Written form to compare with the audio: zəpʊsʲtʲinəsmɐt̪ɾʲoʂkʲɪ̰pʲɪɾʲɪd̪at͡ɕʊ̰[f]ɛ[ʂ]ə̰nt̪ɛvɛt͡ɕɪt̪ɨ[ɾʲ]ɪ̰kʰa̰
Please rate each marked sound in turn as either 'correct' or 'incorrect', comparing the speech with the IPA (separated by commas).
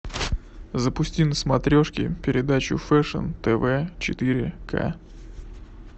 correct, correct, correct